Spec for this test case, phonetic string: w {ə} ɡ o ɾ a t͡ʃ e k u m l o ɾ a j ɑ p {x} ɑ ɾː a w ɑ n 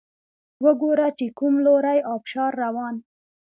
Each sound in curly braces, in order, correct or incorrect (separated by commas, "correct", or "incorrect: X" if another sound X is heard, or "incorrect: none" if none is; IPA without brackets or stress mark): correct, incorrect: ʃ